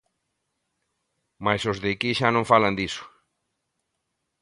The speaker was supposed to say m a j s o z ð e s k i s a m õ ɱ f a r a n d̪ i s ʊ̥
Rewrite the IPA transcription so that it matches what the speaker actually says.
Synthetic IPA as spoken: m a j s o z ð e k i ʃ a n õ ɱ f a l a n d̪ i s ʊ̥